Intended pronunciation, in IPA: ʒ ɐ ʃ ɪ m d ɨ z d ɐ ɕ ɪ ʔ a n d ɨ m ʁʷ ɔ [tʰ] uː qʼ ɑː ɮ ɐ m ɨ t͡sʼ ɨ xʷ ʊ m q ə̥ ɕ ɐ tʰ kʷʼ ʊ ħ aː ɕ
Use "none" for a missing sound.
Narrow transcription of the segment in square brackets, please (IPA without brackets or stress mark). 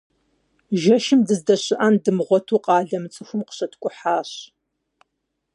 tʰ